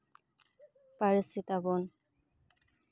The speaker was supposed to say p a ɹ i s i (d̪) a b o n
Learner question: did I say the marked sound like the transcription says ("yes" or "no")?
no